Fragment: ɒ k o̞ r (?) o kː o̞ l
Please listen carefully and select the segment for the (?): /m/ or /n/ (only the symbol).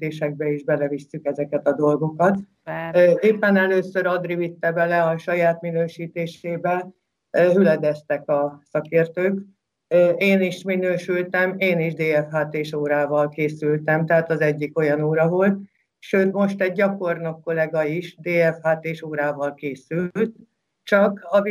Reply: n